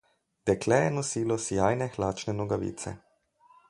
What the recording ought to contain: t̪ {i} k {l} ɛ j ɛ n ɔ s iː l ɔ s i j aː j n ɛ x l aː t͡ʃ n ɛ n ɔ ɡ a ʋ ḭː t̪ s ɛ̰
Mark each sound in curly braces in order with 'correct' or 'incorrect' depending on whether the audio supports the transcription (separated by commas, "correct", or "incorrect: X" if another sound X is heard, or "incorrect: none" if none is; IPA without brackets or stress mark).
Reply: incorrect: ɛ, correct